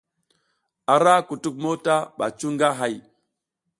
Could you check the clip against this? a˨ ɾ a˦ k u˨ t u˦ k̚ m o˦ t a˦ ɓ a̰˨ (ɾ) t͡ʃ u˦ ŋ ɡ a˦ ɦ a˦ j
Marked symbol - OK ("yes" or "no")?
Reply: no